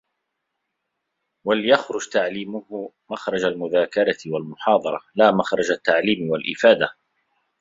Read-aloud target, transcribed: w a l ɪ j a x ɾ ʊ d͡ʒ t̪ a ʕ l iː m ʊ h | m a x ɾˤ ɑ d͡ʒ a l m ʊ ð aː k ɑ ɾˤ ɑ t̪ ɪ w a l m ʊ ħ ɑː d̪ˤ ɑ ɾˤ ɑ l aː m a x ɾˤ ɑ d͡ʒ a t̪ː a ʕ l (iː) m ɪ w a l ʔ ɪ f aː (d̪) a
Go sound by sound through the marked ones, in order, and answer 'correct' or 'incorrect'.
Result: correct, correct

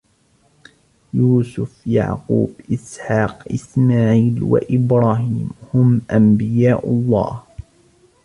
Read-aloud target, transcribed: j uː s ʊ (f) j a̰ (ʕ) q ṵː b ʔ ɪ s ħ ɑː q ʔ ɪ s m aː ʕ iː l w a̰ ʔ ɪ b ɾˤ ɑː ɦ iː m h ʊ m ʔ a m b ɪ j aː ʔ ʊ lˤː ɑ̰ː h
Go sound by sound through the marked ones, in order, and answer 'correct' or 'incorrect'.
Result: correct, correct

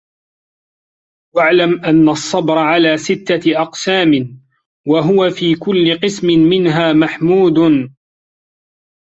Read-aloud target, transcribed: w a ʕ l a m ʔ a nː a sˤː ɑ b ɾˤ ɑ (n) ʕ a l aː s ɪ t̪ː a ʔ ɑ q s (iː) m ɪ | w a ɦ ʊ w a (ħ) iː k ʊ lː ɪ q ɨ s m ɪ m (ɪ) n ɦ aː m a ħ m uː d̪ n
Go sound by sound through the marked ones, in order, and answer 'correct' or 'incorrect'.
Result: incorrect: none, incorrect: aː, incorrect: f, correct

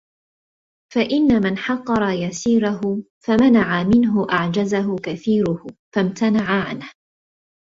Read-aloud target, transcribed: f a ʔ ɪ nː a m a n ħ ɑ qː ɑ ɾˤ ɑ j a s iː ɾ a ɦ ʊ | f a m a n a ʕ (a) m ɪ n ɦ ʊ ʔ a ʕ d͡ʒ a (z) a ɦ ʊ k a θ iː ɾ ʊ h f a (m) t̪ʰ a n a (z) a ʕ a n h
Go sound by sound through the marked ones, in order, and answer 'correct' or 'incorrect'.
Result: correct, correct, correct, incorrect: ʕ

